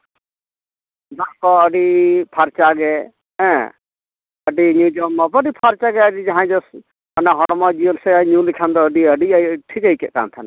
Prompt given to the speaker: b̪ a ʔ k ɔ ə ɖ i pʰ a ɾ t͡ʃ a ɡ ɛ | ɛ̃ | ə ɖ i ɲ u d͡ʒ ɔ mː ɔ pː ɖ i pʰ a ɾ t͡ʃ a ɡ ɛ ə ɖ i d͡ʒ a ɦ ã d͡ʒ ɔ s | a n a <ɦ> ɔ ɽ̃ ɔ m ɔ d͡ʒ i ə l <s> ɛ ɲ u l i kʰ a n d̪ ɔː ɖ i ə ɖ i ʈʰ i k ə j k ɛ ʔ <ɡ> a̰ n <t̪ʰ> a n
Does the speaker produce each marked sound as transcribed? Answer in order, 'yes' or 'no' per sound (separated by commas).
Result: yes, yes, no, yes